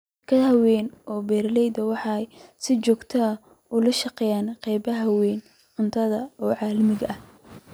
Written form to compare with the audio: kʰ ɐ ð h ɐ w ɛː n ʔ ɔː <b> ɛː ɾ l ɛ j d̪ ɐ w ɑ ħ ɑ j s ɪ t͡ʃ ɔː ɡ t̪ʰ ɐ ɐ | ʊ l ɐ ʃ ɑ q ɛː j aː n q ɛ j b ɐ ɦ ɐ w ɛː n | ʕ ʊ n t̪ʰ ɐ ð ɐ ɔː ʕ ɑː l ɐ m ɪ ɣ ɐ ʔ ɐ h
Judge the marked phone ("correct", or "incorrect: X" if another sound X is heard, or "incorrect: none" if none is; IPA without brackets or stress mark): correct